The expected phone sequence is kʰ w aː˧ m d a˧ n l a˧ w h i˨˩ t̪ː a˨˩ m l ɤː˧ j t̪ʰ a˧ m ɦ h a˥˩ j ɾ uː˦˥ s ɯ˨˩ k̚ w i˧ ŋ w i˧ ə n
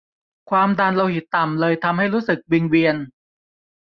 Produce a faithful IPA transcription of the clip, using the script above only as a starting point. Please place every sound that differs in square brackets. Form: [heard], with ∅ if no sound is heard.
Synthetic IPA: kʰ w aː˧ m d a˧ n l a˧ w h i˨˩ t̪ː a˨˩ m l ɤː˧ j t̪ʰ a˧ m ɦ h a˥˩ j ɾ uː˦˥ s ɯ˨˩ k̚ w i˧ ŋ w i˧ ə n